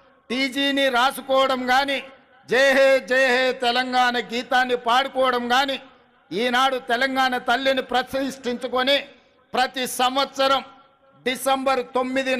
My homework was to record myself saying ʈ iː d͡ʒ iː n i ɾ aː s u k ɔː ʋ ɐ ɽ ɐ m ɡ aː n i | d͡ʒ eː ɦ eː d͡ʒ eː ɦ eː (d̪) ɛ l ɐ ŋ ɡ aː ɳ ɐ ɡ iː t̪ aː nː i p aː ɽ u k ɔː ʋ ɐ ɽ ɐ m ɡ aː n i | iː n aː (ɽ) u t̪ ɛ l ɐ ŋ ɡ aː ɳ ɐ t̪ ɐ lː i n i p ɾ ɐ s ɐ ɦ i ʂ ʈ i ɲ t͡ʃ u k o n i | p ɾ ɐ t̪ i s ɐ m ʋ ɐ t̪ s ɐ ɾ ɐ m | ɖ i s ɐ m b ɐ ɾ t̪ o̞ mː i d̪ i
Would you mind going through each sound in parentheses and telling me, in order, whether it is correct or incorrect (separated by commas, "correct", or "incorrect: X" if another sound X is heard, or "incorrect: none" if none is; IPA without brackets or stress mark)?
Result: incorrect: t̪, correct